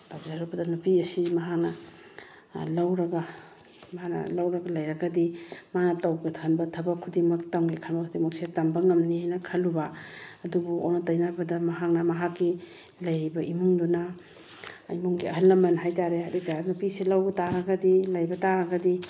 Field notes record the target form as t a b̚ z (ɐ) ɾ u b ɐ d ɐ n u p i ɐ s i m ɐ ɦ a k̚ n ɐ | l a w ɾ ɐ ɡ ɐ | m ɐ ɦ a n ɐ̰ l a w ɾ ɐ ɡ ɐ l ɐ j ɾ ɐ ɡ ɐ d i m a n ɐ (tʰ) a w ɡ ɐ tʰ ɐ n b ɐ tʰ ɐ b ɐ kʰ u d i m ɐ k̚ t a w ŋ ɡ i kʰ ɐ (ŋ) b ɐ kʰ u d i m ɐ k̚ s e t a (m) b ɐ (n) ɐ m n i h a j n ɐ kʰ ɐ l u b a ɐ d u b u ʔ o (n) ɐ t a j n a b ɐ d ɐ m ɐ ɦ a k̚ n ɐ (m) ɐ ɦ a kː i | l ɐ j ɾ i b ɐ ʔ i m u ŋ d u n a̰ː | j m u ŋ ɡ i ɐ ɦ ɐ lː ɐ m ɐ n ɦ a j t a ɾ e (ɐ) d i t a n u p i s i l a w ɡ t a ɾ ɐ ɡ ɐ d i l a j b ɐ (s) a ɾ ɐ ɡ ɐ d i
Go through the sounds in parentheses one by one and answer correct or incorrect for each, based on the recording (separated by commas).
incorrect, incorrect, incorrect, correct, incorrect, correct, correct, incorrect, incorrect